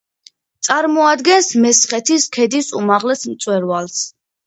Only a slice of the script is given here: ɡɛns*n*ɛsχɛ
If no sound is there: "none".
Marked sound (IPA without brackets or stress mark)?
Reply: m